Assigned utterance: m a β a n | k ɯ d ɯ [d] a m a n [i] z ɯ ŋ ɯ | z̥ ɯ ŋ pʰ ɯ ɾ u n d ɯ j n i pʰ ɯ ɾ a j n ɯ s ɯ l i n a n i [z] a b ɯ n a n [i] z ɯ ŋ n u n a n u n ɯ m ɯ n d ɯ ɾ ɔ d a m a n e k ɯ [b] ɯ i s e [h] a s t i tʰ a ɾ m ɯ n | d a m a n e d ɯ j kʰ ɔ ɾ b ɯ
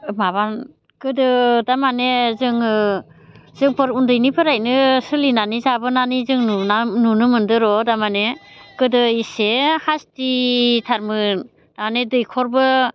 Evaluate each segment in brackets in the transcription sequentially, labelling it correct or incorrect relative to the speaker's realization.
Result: correct, incorrect: e, correct, correct, incorrect: d, correct

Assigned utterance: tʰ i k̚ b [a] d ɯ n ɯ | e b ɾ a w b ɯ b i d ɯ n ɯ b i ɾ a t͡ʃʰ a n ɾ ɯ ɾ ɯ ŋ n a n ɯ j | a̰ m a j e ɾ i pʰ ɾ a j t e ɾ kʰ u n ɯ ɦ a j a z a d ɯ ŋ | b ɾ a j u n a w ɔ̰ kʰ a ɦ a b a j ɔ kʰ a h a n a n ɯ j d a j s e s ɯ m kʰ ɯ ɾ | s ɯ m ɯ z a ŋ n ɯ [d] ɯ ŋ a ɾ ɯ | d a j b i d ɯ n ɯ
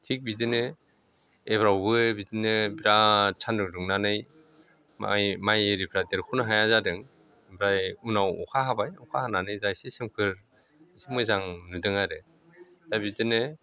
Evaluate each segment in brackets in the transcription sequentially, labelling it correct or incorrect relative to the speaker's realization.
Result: incorrect: i, correct

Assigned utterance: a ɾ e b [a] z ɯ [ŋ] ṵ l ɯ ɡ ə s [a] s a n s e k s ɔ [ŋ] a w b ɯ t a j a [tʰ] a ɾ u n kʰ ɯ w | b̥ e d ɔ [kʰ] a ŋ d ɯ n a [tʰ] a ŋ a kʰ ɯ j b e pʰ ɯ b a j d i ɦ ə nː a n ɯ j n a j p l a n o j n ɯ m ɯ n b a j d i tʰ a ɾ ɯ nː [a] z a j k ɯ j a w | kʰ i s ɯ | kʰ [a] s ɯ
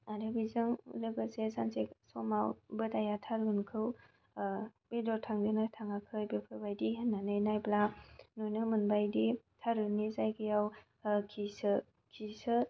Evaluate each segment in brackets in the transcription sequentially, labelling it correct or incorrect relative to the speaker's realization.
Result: incorrect: i, correct, incorrect: e, incorrect: m, correct, incorrect: tʰ, correct, incorrect: i, incorrect: i

